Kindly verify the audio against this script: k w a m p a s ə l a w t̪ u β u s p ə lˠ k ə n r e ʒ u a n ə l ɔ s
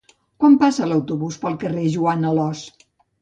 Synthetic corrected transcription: k w a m p a s ə l ə w t̪ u β u s p ə lˠ k ə r e ʒ u a n ə l ɔ s

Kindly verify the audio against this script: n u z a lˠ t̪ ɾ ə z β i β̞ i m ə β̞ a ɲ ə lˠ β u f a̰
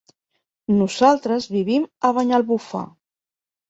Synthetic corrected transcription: n u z a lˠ t̪ ɾ ə z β i β̞ i m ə β̞ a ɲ a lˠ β u f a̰

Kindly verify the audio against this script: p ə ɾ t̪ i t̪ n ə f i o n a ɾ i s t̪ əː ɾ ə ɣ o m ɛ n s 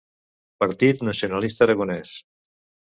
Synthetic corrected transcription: p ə ɾ t̪ i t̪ n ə s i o n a l i s t̪ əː ɾ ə ɣ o n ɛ s

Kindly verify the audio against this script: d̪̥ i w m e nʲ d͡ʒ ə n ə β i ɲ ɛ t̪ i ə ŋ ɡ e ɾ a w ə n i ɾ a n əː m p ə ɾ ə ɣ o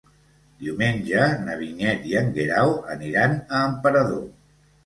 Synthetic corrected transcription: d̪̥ i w m e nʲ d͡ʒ ə n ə β i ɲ ɛ t̪ i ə ŋ ɡ e ɾ a w ə n i ɾ a n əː m p ə ɾ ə ð o

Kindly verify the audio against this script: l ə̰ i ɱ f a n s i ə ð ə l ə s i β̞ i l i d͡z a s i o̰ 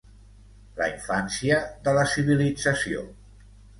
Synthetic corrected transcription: l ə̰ i ɱ f a n s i ə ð ə l ə s i β̞ i l i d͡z ə s i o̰

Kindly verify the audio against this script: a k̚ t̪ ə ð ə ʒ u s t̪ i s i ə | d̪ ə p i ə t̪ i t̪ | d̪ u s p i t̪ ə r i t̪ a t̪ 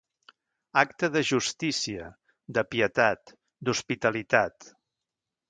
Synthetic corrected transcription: a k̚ t̪ ə ð ə ʒ u s t̪ i s i ə | d̪ ə p i ə t̪ a t̪ | d̪ u s p i t̪ ə l i t̪ a t̪

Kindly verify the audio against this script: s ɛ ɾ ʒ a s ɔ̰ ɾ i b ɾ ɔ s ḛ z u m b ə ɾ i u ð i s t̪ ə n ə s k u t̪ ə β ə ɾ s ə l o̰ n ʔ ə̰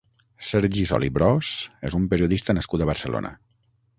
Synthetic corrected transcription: s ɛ ɾ ʒ i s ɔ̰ l i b ɾ ɔ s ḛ z u m p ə ɾ i u ð i s t̪ ə n ə s k u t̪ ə β ə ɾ s ə l o̰ n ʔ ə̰

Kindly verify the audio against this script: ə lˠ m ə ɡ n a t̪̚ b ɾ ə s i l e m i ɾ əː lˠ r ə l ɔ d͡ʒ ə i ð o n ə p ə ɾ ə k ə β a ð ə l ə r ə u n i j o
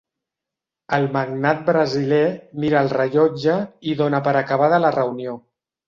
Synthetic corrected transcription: ə lˠ m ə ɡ n a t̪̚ b ɾ ə z i l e m i ɾ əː lˠ r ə ʎ ɔ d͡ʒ ə i ð o n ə p ə ɾ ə k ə β a ð ə l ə r ə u n i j o

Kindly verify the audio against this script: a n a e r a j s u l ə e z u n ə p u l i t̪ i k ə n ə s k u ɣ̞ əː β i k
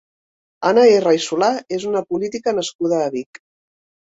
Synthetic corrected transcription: a n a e r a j s u l a e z u n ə p u l i t̪ i k ə n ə s k u ð̞ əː β i k

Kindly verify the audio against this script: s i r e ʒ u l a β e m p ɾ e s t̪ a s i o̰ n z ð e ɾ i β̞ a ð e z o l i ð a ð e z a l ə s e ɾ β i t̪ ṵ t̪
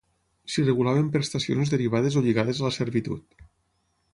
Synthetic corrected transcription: s i r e ɣ u l a β e m p ɾ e s t̪ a s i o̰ n z ð e ɾ i β̞ a ð e z o ʎ i ɣ a ð e z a l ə s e ɾ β i t̪ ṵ t̪

